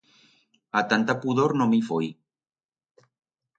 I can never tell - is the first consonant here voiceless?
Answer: yes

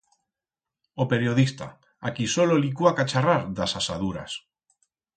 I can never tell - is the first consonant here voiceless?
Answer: yes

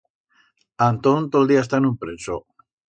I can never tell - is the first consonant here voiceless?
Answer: no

